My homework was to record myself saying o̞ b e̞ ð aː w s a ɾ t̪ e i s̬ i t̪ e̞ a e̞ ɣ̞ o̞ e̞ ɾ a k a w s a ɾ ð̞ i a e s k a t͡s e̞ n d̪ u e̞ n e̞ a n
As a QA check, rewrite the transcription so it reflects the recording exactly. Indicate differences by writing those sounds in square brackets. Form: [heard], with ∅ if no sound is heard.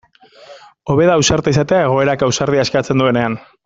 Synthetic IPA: o̞ [β] e̞ ð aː w s a ɾ t̪ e i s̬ [a] t̪ e̞ a e̞ ɣ̞ o̞ e̞ ɾ a k a w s a ɾ ð̞ i a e s k a t͡s e̞ n d̪ u e̞ n e̞ a n